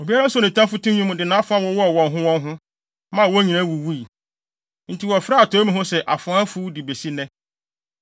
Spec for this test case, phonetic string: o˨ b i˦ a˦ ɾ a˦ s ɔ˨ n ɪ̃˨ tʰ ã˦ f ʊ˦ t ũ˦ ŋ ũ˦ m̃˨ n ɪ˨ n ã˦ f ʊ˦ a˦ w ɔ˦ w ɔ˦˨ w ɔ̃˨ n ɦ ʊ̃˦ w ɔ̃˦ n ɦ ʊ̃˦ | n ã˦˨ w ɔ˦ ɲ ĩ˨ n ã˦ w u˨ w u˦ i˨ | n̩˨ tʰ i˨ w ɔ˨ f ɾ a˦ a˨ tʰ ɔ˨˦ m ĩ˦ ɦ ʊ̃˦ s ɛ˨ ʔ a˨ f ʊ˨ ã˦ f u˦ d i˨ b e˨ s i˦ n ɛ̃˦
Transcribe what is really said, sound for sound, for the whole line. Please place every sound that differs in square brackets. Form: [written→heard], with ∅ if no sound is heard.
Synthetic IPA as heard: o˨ b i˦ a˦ ɾ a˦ s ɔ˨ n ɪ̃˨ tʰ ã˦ f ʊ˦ t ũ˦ [ŋ→ɲ] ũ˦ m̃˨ [n→d] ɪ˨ n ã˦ f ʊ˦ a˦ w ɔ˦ w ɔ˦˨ w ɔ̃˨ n ɦ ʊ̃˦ w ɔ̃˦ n ɦ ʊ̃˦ | [n→m] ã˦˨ w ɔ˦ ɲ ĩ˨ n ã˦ w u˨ w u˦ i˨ | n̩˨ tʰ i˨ w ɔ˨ f ɾ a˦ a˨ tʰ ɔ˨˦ m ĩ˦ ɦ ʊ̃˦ s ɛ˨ ʔ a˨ f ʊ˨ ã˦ f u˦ d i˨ b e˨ s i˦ n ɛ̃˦

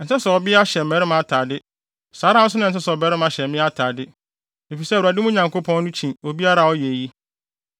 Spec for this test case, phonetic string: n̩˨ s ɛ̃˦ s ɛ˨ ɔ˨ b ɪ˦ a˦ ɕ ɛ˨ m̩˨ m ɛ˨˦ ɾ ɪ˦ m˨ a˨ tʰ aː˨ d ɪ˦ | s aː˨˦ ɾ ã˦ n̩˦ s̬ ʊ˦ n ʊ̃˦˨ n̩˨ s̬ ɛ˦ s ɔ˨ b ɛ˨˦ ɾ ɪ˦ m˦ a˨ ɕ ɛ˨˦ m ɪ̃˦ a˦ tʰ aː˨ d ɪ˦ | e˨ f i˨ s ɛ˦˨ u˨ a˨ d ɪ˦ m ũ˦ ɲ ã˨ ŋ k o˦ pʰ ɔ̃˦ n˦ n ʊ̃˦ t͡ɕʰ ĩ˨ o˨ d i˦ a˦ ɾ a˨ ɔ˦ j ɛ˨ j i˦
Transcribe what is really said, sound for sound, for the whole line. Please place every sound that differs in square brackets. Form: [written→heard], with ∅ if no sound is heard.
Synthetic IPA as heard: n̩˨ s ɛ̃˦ s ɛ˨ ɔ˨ b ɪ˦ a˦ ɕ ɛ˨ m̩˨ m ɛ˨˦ ɾ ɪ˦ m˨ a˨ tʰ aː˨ d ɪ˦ | s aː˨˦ ɾ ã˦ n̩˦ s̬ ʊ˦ n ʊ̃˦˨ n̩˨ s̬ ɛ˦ s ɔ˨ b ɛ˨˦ ɾ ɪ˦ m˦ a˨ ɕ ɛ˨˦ m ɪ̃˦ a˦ tʰ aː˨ d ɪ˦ | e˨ f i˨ s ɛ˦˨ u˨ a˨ d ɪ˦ m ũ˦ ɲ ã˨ ŋ k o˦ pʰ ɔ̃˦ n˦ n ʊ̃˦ t͡ɕʰ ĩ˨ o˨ [d→b] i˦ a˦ ɾ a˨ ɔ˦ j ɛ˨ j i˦

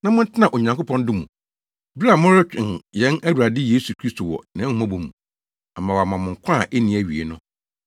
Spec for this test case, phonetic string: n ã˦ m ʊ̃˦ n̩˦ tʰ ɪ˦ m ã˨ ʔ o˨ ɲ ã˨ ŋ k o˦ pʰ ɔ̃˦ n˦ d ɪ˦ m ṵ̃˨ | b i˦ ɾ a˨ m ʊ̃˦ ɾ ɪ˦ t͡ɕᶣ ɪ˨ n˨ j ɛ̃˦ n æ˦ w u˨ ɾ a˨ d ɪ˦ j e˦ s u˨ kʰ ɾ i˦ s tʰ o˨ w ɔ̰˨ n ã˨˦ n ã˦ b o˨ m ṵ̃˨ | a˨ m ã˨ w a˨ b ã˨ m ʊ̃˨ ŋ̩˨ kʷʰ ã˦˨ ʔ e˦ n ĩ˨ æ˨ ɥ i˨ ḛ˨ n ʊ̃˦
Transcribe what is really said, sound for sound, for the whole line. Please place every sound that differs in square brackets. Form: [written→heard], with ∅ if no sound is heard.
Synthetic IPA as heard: n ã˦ m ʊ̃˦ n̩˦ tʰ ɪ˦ [m→n] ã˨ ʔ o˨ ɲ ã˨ ŋ k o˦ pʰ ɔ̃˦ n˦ d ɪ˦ m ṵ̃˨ | b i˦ ɾ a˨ m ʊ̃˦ ɾ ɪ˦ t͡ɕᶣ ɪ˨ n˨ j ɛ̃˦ n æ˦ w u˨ ɾ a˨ d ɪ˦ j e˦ s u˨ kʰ ɾ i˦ s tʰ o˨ w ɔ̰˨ n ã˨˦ [n→m] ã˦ b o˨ m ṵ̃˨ | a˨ m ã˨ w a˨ [b→m] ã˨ m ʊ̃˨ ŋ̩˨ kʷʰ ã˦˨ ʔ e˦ n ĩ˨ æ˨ ɥ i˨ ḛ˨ n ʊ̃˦

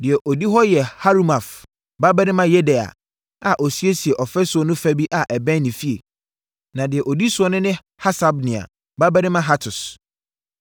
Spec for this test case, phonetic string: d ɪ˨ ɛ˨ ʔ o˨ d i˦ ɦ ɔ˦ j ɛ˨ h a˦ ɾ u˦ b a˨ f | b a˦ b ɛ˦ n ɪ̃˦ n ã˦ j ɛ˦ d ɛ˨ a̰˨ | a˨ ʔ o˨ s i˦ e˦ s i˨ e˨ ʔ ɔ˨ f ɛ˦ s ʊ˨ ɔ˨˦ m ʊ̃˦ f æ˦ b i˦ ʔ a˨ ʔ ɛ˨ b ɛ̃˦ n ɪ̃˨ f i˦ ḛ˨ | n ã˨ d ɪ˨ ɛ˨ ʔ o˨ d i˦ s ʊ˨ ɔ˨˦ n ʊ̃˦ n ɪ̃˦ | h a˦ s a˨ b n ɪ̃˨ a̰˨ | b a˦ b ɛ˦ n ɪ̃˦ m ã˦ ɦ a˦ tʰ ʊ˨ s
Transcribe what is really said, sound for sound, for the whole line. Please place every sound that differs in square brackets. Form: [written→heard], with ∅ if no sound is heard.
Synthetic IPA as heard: d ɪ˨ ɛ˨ ʔ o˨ d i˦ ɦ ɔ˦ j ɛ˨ h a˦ ɾ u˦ [b→m] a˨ f | b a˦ b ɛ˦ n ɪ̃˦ [n→m] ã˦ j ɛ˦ d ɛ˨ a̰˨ | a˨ ʔ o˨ s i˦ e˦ s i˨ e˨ ʔ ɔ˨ f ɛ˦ s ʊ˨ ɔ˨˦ [m→n] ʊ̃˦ f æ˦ b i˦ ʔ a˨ ʔ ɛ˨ b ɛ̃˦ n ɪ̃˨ f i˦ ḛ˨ | n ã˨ d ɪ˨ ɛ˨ ʔ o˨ d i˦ s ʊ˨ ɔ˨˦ n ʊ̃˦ n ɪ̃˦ | h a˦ s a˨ b n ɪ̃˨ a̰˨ | b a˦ b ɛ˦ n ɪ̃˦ m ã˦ ɦ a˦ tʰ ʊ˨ s

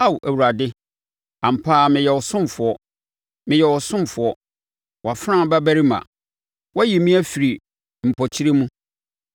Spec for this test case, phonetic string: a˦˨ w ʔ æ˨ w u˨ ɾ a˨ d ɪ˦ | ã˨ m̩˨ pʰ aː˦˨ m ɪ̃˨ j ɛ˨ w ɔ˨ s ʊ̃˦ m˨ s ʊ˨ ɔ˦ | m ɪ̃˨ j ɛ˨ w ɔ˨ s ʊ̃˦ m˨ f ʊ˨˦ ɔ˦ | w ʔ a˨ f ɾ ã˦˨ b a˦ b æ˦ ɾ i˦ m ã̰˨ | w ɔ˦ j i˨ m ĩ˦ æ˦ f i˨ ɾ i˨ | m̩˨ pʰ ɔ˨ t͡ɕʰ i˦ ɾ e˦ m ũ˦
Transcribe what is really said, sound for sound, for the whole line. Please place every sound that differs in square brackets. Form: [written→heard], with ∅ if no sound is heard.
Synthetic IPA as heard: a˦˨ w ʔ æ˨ w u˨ ɾ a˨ d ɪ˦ | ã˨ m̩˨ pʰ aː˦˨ m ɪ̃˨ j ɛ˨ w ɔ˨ s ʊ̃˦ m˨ [s→f] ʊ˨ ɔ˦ | m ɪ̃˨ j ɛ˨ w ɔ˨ s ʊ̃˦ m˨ f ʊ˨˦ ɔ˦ | w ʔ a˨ f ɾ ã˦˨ b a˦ b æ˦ ɾ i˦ m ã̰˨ | w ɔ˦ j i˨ m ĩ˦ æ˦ f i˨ ɾ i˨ | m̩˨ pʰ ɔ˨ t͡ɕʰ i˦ ɾ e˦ m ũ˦

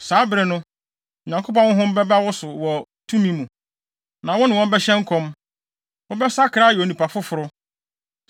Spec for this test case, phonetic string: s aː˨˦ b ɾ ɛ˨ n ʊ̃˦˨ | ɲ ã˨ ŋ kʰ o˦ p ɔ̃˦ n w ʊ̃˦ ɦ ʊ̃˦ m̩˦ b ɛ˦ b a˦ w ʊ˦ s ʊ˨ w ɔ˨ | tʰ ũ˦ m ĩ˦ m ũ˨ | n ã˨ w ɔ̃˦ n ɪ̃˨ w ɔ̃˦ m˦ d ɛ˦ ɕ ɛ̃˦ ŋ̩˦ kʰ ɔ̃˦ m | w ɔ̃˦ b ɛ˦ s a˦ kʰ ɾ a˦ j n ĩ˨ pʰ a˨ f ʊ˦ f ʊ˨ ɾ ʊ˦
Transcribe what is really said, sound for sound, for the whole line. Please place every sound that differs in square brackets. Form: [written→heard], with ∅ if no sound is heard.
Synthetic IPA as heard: s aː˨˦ b ɾ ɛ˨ n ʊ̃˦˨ | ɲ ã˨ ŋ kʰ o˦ p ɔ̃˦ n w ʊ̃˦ ɦ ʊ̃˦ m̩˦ b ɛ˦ b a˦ w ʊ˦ s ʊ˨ w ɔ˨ | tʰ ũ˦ m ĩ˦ m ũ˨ | n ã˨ w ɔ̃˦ n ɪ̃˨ w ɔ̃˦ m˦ [d→b] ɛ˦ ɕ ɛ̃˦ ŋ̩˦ kʰ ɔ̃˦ m | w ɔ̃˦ b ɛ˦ s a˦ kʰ ɾ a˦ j n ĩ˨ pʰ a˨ f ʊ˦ f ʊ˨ ɾ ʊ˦

